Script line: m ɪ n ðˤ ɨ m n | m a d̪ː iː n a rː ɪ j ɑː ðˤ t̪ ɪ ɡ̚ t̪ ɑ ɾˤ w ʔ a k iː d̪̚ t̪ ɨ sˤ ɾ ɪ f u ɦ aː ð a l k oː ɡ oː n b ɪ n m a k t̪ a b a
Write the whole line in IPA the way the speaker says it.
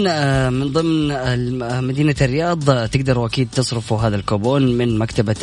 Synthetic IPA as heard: m ɪ n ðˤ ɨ m n | m a d̪ iː n a rː ɪ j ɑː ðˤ t̪ ɪ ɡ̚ d̪ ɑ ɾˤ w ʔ a k iː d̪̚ t̪ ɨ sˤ ɾ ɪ f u ɦ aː ð a l k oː b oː n m ɪ n m a k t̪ a b a